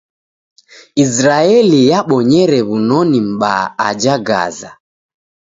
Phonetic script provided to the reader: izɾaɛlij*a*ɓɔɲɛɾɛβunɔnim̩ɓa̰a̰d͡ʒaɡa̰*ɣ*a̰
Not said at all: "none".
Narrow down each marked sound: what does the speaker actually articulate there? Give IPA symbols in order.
a, z

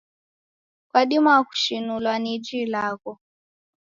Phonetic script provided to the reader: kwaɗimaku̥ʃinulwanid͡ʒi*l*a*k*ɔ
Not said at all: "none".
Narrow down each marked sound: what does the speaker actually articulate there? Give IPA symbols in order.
l, k

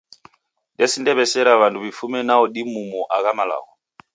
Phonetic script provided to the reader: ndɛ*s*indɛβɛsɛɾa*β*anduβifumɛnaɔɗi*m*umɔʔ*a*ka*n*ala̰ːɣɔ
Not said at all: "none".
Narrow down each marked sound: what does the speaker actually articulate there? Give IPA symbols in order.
s, β, m, a, m

